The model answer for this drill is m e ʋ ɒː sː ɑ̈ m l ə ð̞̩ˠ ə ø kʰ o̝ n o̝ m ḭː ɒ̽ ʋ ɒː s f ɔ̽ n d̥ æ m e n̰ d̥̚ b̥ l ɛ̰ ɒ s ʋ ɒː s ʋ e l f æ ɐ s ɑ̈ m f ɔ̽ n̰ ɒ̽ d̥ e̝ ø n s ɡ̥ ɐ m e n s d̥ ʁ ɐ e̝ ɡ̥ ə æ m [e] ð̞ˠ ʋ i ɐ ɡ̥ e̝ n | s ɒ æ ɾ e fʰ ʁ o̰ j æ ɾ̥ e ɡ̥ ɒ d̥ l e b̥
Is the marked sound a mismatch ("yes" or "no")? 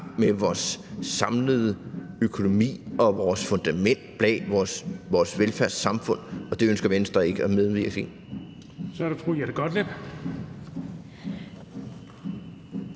no